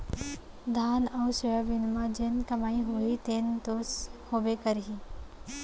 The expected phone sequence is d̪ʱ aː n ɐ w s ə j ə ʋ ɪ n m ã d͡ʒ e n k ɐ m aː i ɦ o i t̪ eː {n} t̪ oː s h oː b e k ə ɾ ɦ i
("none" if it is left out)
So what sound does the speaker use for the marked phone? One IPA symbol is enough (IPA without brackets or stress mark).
n